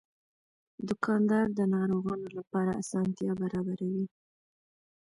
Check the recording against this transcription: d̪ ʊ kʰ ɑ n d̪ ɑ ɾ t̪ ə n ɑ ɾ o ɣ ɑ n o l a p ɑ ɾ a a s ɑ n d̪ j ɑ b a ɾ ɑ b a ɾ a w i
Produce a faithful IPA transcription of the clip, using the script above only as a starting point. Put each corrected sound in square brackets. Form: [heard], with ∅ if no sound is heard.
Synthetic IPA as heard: d̪ ʊ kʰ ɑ n d̪ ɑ ɾ [d̪] ə n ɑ ɾ o ɣ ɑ n o l a p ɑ ɾ a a s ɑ n [t̪] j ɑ b a ɾ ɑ b a ɾ a w i